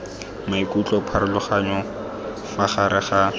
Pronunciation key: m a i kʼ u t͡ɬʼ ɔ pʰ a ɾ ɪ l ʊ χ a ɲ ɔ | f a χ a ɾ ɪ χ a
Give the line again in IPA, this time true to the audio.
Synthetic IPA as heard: m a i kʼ u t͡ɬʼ ɔ pʰ a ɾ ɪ l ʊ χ a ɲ ɔ | f a χ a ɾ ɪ χ a